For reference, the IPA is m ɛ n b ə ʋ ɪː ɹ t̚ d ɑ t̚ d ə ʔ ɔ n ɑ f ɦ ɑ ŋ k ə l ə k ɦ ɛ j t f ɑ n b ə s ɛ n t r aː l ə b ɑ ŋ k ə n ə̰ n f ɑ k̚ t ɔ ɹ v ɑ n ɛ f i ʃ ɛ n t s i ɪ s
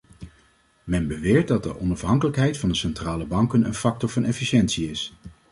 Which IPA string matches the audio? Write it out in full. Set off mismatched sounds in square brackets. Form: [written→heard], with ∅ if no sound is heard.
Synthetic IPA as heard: m ɛ n b ə ʋ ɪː ɹ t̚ d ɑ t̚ d ə ʔ ɔ n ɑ f ɦ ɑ ŋ k ə l ə k ɦ ɛ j t f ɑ n [b→d] ə s ɛ n t r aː l ə b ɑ ŋ k ə n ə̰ n f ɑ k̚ t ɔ ɹ v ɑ n ɛ f i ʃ ɛ n t s i ɪ s